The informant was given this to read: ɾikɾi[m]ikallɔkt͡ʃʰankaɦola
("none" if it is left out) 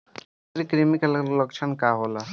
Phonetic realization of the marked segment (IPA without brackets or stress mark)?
m